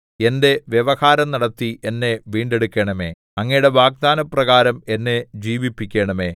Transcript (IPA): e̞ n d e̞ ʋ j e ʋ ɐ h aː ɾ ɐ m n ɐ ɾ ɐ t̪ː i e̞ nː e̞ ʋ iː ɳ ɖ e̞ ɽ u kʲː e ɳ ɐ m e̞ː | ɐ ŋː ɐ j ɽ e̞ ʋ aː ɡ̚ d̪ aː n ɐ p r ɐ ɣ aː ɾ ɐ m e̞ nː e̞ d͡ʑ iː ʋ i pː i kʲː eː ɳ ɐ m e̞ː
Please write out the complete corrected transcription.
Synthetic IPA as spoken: e̞ n d e̞ ʋ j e ʋ ɐ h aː ɾ ɐ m n ɐ ɽ ɐ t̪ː i e̞ nː e̞ ʋ iː ɳ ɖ e̞ ɽ u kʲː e ɳ ɐ m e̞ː | ɐ ŋː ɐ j ɽ e̞ ʋ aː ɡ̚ d̪ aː n ɐ p r ɐ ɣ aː ɾ ɐ m e̞ nː e̞ d͡ʑ iː ʋ i pː i kʲː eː ɳ ɐ m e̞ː